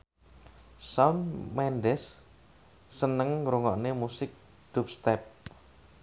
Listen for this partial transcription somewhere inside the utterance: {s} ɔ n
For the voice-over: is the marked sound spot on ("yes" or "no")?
yes